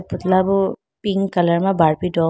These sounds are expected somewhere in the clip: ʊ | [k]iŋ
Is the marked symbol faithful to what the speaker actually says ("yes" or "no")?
no